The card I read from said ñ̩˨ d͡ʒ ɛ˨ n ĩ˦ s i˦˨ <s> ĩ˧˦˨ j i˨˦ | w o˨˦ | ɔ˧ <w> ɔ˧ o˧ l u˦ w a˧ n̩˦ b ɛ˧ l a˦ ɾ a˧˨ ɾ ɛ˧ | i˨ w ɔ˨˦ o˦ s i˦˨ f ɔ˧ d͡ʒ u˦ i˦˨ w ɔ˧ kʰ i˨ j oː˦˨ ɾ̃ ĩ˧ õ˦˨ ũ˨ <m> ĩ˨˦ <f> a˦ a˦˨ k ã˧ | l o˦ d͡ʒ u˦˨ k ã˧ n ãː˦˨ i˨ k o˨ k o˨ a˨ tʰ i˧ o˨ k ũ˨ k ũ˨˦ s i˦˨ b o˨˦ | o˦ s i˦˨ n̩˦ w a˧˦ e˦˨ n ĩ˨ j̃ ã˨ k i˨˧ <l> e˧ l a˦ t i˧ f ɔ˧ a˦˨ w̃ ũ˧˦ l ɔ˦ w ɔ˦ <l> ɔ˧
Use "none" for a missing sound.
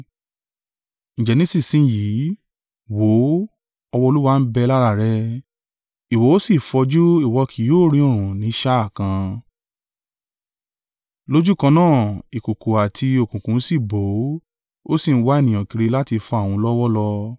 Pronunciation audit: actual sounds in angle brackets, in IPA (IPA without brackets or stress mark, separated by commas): s, w, n, ʃ, ɾ, l